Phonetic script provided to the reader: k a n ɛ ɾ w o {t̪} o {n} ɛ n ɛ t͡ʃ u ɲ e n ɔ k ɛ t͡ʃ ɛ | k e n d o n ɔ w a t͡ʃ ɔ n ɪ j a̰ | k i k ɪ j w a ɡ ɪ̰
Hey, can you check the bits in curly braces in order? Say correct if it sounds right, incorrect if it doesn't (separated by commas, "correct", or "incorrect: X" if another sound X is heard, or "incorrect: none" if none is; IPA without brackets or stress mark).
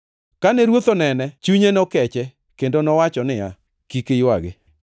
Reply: correct, correct